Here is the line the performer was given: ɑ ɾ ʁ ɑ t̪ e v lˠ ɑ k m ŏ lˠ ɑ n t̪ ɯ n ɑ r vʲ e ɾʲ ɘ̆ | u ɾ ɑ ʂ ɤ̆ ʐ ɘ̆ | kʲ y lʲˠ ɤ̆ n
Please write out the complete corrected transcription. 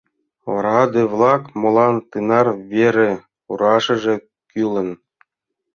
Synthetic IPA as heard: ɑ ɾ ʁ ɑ d̪ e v lˠ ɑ k m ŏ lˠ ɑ n t̪ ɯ n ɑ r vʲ e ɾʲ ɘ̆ | u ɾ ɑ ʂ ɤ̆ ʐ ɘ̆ | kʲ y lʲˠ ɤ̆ n